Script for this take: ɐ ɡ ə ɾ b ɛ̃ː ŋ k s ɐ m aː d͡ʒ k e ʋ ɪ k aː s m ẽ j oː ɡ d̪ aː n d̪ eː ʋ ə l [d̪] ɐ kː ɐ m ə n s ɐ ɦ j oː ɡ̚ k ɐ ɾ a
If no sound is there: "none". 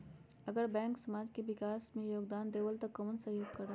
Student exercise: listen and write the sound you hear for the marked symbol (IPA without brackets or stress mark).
t̪